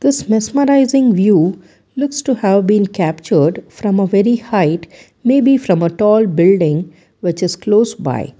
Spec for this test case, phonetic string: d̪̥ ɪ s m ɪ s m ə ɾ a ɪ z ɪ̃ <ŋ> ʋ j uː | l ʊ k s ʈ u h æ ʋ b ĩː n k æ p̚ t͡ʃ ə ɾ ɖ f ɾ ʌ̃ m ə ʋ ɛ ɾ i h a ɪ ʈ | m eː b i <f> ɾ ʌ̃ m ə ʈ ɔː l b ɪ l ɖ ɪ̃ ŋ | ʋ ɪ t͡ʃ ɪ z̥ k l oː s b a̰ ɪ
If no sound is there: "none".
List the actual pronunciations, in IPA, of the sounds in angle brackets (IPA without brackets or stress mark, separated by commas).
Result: ŋ, f